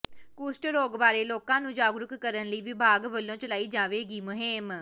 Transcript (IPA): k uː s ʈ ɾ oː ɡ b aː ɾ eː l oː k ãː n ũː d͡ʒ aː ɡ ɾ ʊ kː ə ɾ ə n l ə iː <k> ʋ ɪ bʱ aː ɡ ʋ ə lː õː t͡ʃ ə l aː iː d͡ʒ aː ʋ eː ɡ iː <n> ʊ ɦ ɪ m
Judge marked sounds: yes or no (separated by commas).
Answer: no, no